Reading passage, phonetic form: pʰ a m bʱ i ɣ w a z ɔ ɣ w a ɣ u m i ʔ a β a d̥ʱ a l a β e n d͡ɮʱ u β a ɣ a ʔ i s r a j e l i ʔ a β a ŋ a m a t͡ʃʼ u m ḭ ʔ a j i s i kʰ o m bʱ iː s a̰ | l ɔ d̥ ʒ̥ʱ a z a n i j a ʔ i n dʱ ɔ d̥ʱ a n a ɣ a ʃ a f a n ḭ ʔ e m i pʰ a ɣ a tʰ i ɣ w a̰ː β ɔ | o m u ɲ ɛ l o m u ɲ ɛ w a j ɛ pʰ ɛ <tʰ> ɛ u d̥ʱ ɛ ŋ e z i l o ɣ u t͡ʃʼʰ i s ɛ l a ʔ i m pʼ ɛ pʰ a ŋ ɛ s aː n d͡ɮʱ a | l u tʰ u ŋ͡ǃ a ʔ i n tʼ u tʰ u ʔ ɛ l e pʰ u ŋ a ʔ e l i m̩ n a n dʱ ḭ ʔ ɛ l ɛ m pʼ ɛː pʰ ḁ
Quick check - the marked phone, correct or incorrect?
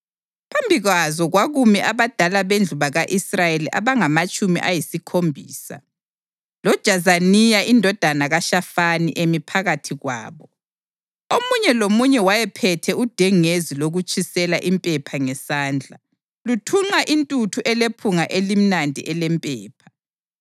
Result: correct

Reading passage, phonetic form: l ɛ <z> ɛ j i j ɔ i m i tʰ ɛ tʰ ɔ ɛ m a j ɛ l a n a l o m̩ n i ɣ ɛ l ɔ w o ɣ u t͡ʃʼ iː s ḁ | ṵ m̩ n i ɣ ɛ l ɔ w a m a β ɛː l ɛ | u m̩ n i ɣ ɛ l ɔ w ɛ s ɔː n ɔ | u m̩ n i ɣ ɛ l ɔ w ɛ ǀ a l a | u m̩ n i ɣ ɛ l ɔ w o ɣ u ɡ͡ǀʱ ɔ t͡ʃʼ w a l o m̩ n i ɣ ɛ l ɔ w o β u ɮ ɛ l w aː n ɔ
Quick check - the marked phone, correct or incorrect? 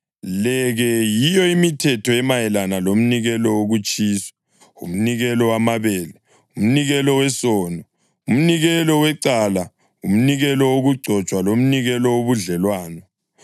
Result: incorrect: ɣ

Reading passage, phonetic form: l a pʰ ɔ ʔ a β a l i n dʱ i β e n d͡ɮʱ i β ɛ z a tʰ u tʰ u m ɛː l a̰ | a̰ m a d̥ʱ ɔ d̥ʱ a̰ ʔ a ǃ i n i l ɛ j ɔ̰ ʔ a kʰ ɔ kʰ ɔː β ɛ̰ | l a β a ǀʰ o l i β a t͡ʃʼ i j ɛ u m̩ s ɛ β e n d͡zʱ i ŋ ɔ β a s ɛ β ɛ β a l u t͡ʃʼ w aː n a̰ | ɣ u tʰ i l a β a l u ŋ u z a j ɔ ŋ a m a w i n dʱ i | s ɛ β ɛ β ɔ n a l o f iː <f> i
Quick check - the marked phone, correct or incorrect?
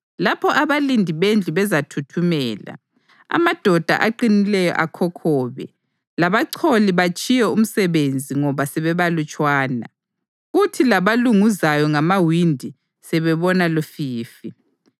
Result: correct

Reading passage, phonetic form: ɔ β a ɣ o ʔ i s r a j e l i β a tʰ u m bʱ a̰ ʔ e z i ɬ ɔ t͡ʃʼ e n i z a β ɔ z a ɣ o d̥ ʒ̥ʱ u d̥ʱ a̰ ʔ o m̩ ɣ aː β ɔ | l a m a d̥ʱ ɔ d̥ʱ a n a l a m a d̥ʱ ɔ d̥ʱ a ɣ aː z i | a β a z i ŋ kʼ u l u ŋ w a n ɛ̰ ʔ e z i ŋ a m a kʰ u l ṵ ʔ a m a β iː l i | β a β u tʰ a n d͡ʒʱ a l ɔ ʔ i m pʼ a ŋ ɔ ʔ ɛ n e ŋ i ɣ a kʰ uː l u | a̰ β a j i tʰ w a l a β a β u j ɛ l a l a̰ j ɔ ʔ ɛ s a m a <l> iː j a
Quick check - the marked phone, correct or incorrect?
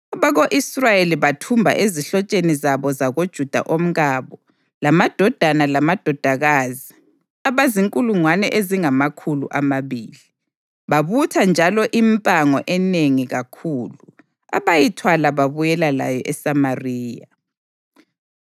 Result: incorrect: r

